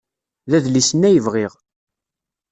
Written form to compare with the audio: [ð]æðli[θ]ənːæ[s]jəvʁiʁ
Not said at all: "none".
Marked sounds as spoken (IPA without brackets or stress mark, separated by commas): ð, s, none